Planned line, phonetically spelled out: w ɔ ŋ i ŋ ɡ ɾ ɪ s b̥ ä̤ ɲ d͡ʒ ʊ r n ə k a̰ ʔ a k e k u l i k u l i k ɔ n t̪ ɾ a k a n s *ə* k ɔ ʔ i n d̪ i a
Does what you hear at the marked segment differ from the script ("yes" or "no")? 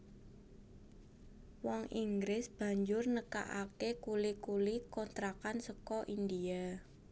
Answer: no